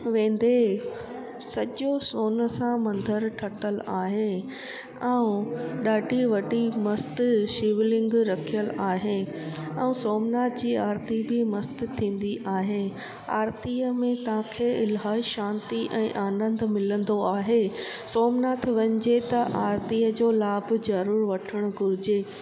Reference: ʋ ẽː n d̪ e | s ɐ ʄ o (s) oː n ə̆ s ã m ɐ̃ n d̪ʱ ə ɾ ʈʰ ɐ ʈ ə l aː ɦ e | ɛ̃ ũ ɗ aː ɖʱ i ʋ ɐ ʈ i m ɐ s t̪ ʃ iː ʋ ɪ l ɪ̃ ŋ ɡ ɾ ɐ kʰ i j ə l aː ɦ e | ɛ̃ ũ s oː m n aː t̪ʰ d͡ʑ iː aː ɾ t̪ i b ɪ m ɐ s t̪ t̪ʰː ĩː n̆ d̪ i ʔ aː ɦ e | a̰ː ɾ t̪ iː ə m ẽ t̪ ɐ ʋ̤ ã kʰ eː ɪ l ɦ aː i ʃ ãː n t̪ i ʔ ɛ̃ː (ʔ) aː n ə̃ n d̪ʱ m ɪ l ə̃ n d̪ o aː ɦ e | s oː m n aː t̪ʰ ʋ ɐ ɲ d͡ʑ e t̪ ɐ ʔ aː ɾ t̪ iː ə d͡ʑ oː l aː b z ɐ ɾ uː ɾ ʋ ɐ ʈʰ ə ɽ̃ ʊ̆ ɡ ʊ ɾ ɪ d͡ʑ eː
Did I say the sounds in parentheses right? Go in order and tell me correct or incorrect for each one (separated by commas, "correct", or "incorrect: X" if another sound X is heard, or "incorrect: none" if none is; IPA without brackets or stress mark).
correct, correct